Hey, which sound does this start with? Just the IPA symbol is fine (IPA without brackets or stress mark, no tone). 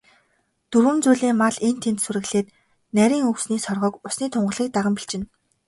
t̪